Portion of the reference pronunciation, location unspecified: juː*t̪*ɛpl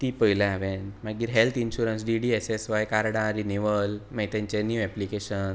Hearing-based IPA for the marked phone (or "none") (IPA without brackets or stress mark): none